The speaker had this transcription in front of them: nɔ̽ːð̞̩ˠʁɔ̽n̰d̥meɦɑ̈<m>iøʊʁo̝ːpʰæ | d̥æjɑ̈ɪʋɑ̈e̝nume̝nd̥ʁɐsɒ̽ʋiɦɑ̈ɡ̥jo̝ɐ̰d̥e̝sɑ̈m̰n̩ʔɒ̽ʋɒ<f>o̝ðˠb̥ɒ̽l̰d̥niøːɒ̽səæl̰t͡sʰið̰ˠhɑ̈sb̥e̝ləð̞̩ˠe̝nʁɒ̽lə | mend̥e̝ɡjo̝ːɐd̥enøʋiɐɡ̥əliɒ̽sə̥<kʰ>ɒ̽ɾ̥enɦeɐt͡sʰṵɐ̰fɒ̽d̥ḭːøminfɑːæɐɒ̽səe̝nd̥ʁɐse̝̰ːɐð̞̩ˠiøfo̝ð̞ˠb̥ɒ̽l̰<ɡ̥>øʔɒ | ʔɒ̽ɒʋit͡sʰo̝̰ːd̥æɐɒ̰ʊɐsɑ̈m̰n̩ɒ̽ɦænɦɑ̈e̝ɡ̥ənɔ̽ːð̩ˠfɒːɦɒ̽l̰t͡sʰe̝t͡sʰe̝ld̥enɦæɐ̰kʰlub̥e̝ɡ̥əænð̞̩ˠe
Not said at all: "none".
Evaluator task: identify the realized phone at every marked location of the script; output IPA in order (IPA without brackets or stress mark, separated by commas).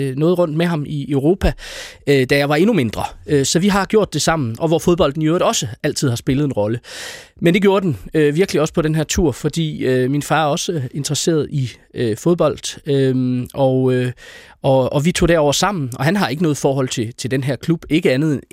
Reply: m, f, pʰ, d̥